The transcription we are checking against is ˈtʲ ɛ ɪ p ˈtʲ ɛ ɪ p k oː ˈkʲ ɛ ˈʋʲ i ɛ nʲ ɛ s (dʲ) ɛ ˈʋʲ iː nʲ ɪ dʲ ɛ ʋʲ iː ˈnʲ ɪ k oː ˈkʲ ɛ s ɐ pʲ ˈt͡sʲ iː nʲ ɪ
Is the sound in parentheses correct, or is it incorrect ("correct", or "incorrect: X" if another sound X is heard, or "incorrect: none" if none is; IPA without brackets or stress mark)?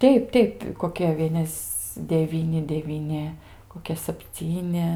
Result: correct